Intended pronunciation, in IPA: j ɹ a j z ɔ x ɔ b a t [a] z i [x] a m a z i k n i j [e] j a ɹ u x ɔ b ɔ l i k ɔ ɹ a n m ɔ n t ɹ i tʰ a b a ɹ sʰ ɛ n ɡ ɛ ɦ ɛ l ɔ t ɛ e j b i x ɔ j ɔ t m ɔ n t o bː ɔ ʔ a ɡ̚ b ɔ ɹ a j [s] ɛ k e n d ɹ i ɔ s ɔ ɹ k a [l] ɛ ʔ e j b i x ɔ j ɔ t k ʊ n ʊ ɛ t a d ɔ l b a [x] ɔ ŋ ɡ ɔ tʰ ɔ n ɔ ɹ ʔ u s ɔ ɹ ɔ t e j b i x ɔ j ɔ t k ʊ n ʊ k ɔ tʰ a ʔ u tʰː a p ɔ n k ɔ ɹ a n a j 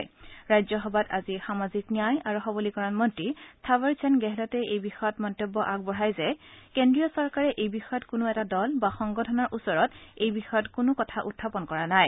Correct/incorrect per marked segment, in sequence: correct, correct, incorrect, incorrect, incorrect, correct

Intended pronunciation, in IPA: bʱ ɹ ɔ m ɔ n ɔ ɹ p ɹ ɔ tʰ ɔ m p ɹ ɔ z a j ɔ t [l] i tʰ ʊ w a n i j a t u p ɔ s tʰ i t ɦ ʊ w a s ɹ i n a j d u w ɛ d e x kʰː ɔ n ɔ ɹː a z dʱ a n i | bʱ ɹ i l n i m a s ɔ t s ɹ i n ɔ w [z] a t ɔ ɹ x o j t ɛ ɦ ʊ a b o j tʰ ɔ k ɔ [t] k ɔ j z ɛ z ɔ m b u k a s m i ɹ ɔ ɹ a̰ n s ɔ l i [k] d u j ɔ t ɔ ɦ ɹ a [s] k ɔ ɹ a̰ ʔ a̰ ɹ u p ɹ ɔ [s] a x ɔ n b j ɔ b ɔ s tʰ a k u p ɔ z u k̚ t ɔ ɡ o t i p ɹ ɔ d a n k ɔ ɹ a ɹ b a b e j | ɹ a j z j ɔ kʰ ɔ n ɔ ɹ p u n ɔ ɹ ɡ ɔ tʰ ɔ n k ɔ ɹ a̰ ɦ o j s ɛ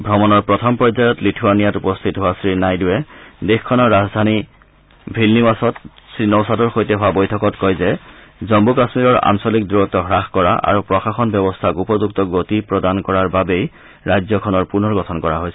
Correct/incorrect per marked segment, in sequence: correct, incorrect, correct, correct, incorrect, incorrect

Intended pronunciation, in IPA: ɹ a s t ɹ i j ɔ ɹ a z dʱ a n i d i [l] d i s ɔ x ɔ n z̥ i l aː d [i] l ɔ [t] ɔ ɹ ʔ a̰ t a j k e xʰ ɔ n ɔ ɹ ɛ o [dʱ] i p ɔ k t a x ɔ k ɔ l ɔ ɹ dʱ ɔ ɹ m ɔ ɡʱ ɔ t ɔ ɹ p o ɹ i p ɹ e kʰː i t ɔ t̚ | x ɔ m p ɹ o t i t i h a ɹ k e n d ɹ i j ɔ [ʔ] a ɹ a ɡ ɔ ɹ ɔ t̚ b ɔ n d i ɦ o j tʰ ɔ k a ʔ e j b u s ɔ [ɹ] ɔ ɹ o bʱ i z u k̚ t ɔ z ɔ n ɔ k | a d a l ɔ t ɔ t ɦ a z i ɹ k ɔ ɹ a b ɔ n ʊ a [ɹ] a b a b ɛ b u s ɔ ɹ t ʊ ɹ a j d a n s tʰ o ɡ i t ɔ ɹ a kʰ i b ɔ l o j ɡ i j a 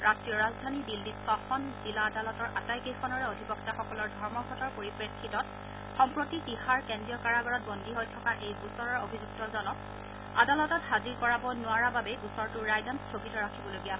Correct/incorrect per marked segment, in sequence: correct, incorrect, correct, correct, incorrect, correct, correct

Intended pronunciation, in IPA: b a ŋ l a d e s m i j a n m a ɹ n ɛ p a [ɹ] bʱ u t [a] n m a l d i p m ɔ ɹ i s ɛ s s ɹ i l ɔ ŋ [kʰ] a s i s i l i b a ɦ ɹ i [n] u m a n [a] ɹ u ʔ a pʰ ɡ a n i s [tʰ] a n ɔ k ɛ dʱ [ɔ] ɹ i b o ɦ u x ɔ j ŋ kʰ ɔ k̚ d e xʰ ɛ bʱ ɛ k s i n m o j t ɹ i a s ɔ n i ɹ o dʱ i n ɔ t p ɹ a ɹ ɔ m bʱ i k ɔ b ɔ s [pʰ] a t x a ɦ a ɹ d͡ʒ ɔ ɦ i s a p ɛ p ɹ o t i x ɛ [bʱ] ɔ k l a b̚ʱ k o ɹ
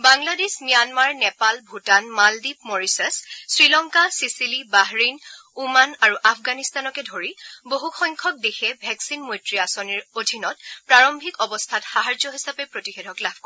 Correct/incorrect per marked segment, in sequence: incorrect, correct, incorrect, correct, correct, incorrect, incorrect, incorrect, incorrect

